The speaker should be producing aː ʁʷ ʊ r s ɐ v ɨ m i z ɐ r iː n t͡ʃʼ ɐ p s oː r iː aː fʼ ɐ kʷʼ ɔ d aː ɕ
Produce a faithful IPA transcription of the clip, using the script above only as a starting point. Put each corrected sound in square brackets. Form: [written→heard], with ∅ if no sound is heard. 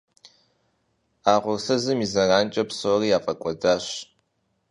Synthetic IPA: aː ʁʷ ʊ r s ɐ [v→z] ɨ m i z ɐ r [iː→aː] n t͡ʃʼ ɐ p s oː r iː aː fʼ ɐ kʷʼ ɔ d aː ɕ